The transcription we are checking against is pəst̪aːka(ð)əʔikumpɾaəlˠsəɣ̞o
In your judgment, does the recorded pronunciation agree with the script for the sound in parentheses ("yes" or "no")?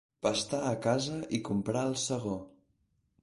no